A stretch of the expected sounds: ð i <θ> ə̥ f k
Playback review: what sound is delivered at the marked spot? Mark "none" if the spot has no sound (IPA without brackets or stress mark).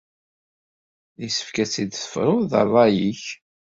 s